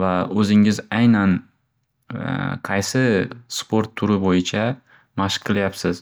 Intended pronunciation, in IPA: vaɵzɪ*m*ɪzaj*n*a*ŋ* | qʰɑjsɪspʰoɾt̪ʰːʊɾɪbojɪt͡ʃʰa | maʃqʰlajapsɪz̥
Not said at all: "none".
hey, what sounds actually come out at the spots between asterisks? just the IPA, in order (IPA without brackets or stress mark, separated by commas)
ŋ, n, n